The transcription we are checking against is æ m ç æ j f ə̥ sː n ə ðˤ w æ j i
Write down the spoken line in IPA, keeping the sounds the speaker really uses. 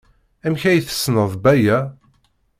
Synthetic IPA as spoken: æ m ç æ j θ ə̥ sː n ə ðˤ b æ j æ